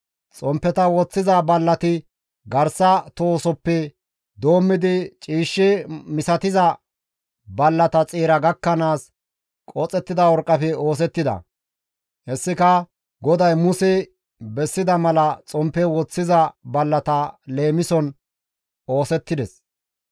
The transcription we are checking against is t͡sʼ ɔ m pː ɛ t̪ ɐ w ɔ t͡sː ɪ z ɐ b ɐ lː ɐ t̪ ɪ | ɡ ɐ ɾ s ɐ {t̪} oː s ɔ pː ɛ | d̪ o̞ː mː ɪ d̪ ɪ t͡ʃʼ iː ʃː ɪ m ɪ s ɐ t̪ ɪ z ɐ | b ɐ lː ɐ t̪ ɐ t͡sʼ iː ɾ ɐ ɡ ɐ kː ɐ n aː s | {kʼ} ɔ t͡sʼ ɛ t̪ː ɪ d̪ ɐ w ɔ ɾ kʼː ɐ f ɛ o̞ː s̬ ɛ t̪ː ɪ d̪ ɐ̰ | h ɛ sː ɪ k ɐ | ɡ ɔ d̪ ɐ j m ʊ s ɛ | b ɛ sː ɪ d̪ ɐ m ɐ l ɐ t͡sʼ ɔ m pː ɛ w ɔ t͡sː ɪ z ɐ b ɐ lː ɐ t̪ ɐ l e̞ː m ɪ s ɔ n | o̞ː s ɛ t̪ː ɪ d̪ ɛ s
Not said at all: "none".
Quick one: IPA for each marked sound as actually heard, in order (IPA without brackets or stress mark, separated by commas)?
t̪, kʼ